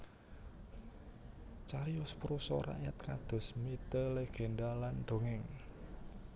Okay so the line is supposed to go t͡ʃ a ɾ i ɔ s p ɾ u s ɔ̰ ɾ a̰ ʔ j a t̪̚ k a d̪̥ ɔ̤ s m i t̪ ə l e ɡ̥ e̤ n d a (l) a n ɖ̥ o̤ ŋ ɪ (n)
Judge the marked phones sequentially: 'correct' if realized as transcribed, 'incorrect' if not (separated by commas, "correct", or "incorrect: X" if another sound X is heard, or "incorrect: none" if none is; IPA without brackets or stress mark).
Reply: correct, incorrect: ŋ